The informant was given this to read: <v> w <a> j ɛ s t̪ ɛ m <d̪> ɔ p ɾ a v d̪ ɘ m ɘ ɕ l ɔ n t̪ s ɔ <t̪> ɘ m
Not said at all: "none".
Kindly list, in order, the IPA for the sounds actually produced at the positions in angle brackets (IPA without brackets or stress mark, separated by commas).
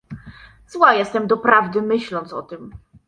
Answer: z, a, d̪, t̪